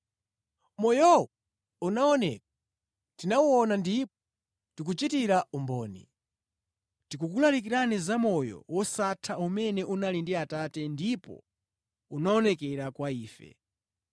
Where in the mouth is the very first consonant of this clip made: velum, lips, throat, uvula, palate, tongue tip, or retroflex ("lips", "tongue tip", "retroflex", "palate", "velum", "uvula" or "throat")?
lips